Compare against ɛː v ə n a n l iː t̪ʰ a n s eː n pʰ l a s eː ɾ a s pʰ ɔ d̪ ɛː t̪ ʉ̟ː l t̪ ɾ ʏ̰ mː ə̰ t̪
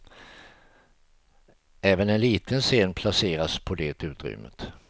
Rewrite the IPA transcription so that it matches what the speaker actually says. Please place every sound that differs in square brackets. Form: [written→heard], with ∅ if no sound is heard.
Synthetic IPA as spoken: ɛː v ə n [a→ɛ] n l iː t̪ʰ [a→ə] n s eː n pʰ l a s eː ɾ a s pʰ ɔ d̪ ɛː t̪ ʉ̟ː [l→∅] t̪ ɾ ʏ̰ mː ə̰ t̪

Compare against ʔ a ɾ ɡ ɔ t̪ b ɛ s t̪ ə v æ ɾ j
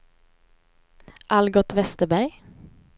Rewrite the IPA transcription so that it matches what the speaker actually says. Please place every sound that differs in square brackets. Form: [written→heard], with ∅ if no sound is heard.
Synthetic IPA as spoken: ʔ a [ɾ→l] ɡ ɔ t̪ [b→v] ɛ s t̪ ə [v→b] æ ɾ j

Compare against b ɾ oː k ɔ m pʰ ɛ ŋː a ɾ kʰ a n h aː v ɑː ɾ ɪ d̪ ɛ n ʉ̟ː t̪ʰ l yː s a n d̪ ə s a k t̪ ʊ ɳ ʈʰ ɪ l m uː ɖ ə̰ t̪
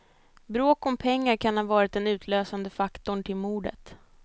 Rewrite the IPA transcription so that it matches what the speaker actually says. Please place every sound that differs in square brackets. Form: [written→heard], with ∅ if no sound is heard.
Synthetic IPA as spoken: b ɾ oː k ɔ m pʰ ɛ ŋː a ɾ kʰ a n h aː v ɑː ɾ ɪ [d̪→t̪] ɛ n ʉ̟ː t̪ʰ l [yː→øː] s a n d̪ ə [s→f] a k t̪ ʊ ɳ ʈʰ ɪ l m uː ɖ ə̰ t̪

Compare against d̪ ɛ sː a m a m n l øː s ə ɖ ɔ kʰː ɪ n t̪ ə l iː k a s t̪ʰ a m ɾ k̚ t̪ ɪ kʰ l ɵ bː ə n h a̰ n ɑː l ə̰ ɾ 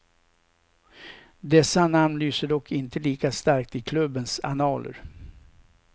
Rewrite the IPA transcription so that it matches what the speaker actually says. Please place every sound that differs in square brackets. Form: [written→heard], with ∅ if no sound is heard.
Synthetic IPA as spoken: d̪ ɛ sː a [m→n] a m n l [øː→yː] s ə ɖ ɔ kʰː ɪ n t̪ ə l iː k a s [t̪ʰ→t̪] a [m→∅] ɾ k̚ t̪ ɪ kʰ l ɵ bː ə n [h→s] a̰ n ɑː l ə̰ ɾ

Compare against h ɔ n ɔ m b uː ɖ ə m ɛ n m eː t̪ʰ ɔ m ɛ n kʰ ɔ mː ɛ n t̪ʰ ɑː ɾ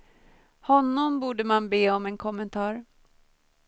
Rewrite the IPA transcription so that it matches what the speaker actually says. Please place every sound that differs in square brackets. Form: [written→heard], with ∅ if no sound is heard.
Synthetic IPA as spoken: h ɔ [n→nː] ɔ m b uː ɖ ə m [ɛ→a] n [m→b] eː [t̪ʰ→∅] ɔ m ɛ n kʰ ɔ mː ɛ n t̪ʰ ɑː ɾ

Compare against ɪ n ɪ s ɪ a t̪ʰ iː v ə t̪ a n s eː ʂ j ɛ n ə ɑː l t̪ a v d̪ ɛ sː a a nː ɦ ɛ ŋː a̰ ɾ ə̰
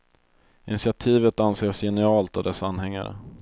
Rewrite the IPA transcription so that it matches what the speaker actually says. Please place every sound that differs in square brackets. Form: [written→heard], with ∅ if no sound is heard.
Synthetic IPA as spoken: ɪ n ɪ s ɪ a t̪ʰ iː v ə t̪ a n s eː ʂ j ɛ n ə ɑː l t̪ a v d̪ ɛ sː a a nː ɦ ɛ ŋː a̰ ɾ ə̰

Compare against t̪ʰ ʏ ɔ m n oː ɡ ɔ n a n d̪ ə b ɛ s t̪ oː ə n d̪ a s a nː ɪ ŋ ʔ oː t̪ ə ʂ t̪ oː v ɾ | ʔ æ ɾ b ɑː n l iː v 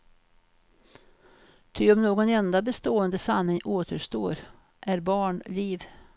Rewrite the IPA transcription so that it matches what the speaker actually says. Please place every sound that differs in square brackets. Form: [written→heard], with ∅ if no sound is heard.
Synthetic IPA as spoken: t̪ʰ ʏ ɔ m n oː ɡ ɔ n [a→ɛ] n d̪ [ə→a] b ɛ s t̪ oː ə n d̪ [a→ə] s a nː ɪ ŋ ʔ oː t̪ ə ʂ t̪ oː [v→∅] ɾ | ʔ æ ɾ b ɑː [n→ɳ] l iː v

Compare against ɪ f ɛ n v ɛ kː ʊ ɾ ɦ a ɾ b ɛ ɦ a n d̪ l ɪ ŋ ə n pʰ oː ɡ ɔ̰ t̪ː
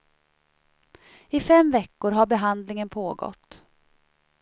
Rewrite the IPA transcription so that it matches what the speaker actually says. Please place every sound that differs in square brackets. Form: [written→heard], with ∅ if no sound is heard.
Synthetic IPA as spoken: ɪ f ɛ [n→m] v ɛ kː ʊ ɾ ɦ a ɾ b ɛ ɦ a n d̪ l ɪ ŋ ə n pʰ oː ɡ ɔ̰ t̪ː

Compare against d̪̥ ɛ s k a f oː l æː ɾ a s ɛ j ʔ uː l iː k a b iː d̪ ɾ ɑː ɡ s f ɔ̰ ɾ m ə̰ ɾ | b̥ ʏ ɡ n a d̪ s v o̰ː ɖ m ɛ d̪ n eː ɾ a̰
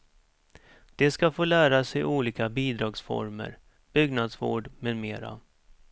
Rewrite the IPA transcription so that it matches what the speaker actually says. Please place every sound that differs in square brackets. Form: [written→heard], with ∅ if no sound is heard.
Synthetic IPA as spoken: d̪̥ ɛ s k a f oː l æː ɾ a s ɛ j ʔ uː l iː k a b iː d̪ ɾ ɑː ɡ s f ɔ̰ ɾ m ə̰ ɾ | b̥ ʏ ɡ n a d̪ s v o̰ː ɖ m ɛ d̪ [n→m] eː ɾ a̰

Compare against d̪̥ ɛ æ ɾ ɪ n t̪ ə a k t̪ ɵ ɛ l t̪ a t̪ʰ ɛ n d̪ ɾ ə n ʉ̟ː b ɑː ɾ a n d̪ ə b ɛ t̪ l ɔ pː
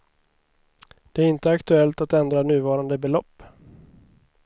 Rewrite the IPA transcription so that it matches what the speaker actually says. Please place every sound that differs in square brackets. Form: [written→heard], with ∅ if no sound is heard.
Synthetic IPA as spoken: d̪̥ ɛ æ ɾ ɪ n t̪ ə a k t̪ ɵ ɛ l t̪ a [t̪ʰ→t̪] ɛ n d̪ ɾ [ə→a] n ʉ̟ː [b→v] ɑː ɾ a n d̪ ə b ɛ [t̪→∅] l ɔ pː

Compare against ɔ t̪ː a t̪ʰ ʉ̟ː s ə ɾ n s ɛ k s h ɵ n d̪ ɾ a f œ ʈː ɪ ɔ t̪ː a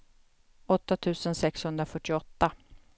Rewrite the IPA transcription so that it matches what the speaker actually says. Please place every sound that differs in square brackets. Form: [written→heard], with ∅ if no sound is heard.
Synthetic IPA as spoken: ɔ t̪ː a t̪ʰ ʉ̟ː s ə [ɾ→∅] n s ɛ k s h ɵ n d̪ ɾ a f œ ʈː ɪ ɔ t̪ː a

